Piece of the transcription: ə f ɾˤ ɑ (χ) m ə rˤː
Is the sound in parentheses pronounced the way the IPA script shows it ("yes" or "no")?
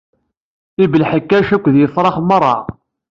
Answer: yes